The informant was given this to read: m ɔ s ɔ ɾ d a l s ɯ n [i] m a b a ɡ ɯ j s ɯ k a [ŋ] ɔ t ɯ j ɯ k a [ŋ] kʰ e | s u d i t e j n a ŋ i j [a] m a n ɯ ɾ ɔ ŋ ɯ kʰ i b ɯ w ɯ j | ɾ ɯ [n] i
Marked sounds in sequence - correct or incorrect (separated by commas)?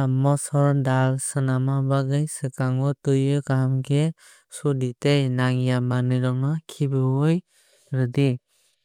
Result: incorrect, correct, incorrect, correct, incorrect